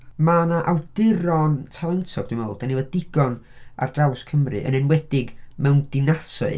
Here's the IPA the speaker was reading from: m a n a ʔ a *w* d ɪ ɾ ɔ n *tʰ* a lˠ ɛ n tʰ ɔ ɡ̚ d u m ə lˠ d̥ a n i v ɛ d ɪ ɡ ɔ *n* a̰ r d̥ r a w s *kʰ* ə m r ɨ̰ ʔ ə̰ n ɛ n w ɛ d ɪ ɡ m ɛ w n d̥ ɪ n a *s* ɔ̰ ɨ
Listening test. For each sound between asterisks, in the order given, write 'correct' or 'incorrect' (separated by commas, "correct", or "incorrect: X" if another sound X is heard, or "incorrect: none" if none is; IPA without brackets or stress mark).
correct, correct, correct, correct, correct